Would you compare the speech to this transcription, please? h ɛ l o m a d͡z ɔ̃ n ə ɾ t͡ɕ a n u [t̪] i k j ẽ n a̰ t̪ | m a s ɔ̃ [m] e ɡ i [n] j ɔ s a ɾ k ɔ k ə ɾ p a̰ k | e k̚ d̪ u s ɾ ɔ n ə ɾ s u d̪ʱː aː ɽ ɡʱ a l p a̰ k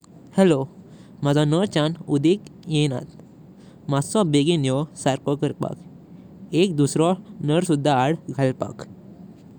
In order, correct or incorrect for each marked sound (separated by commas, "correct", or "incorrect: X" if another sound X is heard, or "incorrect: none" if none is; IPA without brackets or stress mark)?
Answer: incorrect: d̪, incorrect: b, correct